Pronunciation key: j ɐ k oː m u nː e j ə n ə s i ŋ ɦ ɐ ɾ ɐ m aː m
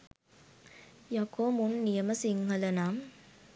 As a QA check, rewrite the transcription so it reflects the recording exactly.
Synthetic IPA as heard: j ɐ k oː m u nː i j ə m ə s i ŋ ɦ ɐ l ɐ n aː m